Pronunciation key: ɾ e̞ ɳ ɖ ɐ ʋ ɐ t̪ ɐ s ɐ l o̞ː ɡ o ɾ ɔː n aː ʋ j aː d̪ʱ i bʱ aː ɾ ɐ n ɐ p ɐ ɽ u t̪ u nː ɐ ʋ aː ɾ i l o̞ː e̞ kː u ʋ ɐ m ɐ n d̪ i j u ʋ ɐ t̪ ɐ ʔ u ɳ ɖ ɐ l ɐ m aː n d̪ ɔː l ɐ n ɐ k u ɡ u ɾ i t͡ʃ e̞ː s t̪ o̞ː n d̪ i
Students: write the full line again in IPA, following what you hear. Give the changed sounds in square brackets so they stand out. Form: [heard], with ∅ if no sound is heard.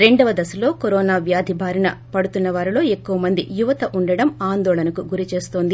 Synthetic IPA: ɾ e̞ ɳ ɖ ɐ ʋ ɐ [d̪] ɐ s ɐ l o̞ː [k] o ɾ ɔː n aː ʋ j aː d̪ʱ i bʱ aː ɾ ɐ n ɐ p ɐ ɽ u t̪ u nː ɐ ʋ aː ɾ i l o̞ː e̞ kː u ʋ ɐ m ɐ n d̪ i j u ʋ ɐ t̪ ɐ ʔ u ɳ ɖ ɐ [ɽ] ɐ m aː n d̪ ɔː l ɐ n ɐ k u ɡ u ɾ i t͡ʃ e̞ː s t̪ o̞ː n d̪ i